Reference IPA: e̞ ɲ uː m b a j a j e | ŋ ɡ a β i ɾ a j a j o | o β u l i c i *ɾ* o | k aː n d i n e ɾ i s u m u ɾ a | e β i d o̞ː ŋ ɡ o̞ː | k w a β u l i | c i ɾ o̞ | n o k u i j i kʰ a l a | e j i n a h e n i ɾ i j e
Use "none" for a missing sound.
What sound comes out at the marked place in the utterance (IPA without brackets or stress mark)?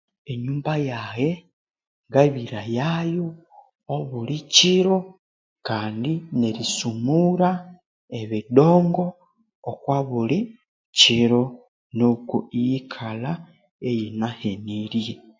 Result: ɾ